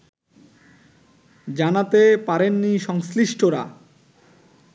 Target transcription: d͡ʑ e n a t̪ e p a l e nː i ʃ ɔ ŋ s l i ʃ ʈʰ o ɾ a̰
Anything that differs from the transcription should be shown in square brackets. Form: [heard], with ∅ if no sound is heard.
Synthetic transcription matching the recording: d͡ʑ [a] n a t̪ e p a [ɾ] e nː i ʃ ɔ ŋ s l i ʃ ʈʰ o ɾ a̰